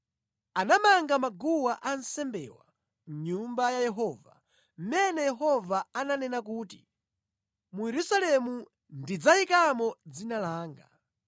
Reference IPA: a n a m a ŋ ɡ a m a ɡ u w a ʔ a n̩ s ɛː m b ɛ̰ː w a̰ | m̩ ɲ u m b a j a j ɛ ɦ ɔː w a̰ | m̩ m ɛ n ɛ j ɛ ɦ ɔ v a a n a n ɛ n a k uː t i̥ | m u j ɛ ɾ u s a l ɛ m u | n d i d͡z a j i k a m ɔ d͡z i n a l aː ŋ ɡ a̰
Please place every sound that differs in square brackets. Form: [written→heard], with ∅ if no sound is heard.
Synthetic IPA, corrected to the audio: a n a m a ŋ ɡ a m a ɡ u w a ʔ a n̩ s [ɛː→ɛ] m b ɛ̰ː w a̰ | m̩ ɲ u m b a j a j ɛ ɦ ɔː [w→v] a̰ | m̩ m ɛ n ɛ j ɛ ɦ ɔ v a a n a n ɛ n a k uː t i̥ | m u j ɛ ɾ u s a l ɛ m u | n d i d͡z a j i k a m ɔ d͡z i n a l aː ŋ ɡ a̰